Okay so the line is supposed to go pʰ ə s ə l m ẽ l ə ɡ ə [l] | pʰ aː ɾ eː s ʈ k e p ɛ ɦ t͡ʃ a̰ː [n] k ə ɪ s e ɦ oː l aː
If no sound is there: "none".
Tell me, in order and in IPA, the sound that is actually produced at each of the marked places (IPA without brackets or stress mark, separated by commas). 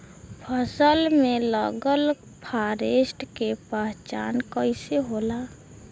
l, n